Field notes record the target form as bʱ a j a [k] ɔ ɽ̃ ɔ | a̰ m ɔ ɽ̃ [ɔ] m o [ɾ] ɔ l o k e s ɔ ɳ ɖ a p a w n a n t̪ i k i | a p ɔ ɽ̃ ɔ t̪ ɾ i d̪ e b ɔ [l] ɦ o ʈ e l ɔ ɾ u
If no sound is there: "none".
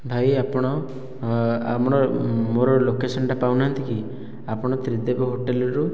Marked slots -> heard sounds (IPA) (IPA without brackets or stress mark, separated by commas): p, ɔ, ɾ, none